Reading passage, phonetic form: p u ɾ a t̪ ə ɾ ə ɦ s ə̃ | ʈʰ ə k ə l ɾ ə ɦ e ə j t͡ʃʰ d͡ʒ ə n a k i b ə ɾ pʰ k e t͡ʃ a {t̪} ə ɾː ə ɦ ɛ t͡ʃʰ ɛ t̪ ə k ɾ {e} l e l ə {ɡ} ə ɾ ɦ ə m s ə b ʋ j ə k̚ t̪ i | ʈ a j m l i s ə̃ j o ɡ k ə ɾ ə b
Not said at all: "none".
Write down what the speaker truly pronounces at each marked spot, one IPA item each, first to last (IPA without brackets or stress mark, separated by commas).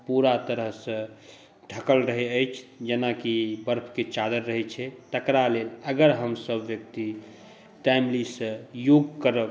d̪, a, ɡ